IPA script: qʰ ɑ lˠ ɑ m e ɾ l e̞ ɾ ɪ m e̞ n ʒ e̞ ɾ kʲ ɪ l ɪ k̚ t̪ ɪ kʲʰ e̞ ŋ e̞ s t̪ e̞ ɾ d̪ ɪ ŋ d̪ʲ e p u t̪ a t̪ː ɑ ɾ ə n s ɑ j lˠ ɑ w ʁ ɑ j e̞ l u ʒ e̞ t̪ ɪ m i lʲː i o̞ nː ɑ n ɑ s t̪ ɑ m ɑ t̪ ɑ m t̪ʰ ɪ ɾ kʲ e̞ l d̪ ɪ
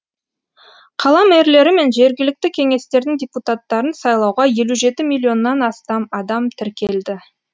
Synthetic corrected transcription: qʰ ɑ lˠ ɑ m e ɾ l e̞ ɾ ɪ m e̞ n ʒ e̞ ɾ ɡʲ ɪ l ɪ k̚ t̪ ɪ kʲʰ e̞ ŋ e̞ s t̪ e̞ ɾ d̪ ɪ ŋ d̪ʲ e p u t̪ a t̪ː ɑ ɾ ə n s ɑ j lˠ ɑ w ʁ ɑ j e̞ l u ʒ e̞ t̪ ɪ m i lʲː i o̞ nː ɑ n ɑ s t̪ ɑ m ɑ d̪ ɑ m t̪ʰ ɪ ɾ kʲ e̞ l d̪ ɪ